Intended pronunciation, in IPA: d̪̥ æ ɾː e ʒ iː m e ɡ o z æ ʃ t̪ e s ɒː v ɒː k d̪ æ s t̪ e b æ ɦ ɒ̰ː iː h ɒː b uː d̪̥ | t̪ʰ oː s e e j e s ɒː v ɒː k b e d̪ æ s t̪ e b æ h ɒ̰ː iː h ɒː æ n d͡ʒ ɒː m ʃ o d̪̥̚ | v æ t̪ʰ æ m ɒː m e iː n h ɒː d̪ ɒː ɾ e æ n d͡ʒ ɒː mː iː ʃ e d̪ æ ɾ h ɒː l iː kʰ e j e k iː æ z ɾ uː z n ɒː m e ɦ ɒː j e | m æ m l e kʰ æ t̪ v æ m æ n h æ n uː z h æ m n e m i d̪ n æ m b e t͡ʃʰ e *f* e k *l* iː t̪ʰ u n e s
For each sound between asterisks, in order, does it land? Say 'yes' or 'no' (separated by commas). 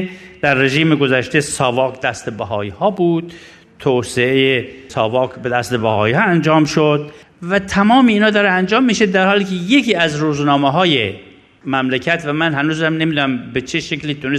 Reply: no, yes